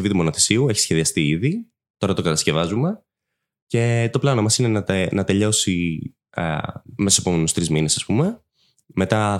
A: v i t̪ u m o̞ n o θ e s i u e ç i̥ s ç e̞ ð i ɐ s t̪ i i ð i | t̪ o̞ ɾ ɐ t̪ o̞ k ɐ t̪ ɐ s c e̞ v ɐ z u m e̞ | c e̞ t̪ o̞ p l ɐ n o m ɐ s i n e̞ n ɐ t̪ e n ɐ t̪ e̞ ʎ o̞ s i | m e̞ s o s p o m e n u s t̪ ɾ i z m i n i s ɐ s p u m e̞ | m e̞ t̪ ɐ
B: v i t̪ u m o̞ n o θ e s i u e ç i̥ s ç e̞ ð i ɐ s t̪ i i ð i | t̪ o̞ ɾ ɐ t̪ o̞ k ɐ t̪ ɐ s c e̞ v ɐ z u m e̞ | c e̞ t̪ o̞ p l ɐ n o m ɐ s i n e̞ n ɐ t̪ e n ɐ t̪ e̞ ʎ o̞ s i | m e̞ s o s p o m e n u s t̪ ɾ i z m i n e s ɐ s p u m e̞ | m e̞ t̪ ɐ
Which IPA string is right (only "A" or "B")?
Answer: B